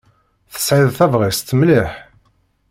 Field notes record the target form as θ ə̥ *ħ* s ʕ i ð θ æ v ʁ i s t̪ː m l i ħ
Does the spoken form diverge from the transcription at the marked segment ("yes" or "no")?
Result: yes